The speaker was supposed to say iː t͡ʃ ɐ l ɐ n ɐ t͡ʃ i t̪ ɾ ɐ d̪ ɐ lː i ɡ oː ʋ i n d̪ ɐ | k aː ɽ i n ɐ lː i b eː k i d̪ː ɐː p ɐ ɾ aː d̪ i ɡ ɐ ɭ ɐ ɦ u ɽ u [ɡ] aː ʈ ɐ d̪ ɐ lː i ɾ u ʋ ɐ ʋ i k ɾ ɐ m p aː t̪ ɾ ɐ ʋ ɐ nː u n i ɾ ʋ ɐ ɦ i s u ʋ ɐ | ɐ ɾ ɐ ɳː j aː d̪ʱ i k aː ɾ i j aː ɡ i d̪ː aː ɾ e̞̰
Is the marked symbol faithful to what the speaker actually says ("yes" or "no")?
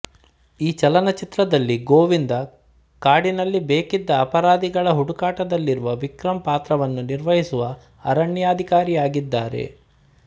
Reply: no